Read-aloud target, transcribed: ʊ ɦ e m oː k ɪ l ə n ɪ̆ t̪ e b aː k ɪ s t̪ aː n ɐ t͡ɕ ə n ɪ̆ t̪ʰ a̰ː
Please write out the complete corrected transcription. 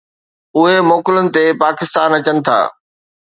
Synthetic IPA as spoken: ʊ ɦ e m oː k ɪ l ə n ɪ̆ t̪ e p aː k ɪ s t̪ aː n ɐ t͡ɕ ə n ɪ̆ t̪ʰ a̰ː